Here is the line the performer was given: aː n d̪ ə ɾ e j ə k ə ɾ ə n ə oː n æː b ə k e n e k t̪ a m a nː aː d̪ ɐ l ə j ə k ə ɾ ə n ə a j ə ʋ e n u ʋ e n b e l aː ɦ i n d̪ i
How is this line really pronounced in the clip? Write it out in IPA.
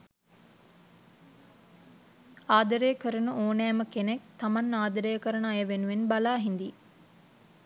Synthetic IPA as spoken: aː d̪ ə ɾ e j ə k ə ɾ ə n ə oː n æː m ə k e n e k t̪ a m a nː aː d̪ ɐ ɾ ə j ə k ə ɾ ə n ə a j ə ʋ e n u ʋ e n b a l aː ɦ i n d̪ i